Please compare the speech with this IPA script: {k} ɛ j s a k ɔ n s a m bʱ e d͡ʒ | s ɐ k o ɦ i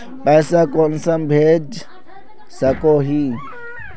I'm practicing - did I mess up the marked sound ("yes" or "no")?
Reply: yes